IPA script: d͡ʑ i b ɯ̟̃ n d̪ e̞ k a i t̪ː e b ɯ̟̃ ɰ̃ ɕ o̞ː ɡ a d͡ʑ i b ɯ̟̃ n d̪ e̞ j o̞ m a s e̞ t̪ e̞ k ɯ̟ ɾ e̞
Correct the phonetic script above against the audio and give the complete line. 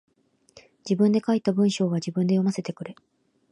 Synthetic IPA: d͡ʑ i b ɯ̟̃ n d̪ e̞ k a i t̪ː a b ɯ̟̃ ɰ̃ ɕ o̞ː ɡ a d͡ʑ i b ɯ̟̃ n d̪ e̞ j o̞ m a s e̞ t̪ e̞ k ɯ̟ ɾ e̞

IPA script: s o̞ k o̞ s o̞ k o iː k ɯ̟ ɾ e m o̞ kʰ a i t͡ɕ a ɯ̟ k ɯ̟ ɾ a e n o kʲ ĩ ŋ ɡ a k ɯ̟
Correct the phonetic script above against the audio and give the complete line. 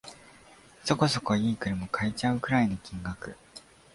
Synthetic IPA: s o̞ k o̞ s o̞ k o iː k ɯ̟ ɾ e m o̞ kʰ a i t͡ɕ a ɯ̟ k ɯ̟ ɾ a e n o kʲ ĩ ŋ ɡ a k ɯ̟

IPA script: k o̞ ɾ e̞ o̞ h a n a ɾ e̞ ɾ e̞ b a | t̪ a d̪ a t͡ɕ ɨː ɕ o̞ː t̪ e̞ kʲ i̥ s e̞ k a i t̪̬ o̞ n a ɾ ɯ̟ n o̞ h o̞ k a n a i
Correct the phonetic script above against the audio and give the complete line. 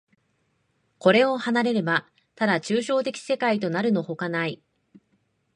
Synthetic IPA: k o̞ ɾ e̞ o̞ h a n a ɾ e̞ ɾ e̞ b a | t̪ a d̪ a t͡ɕ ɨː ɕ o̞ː t̪ e̞ kʲ i̥ s e̞ k a i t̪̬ o̞ n a ɾ ɯ̟ n o̞ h o̞ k a n a i

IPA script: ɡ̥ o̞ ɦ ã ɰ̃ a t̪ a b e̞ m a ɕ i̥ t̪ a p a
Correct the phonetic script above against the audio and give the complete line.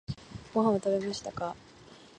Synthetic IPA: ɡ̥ o̞ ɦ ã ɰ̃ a t̪ a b e̞ m a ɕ i̥ t̪ a k a

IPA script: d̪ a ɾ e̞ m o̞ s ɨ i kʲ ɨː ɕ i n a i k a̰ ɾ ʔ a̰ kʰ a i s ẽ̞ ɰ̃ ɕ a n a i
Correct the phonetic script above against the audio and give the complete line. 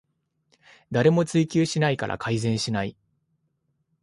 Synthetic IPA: d̪ a ɾ e̞ m o̞ t͡s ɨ i kʲ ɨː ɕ i n a i k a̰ ɾ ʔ a̰ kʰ a i z ẽ̞ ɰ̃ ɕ i n a i

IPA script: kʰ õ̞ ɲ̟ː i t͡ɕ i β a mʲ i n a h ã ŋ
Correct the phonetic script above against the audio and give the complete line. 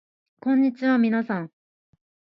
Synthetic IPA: k õ̞ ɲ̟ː i t͡ɕ i β a mʲ i n a s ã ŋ

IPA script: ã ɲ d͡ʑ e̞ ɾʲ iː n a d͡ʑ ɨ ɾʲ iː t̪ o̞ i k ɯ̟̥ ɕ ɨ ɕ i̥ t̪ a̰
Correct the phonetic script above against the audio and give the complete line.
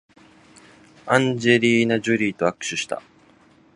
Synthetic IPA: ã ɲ d͡ʑ e̞ ɾʲ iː n a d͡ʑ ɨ ɾʲ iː t̪ o̞ a k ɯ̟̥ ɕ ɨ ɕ i̥ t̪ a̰

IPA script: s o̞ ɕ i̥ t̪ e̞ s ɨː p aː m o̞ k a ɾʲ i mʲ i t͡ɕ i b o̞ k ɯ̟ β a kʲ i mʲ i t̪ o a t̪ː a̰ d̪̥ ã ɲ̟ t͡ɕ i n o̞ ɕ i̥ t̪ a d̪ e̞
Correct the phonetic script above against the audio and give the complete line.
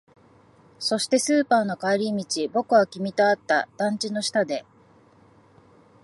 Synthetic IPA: s o̞ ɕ i̥ t̪ e̞ s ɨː p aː n o̞ k a ɾʲ i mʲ i t͡ɕ i b o̞ k ɯ̟ β a kʲ i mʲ i t̪ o a t̪ː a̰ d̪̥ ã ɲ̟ t͡ɕ i n o̞ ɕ i̥ t̪ a d̪ e̞

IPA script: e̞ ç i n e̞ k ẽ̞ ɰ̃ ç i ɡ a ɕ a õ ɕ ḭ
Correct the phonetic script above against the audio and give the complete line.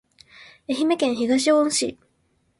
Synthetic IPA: e̞ ç i m e̞ k ẽ̞ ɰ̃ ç i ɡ a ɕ i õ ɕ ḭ

